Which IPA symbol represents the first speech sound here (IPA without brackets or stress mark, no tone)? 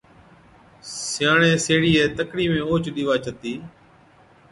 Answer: s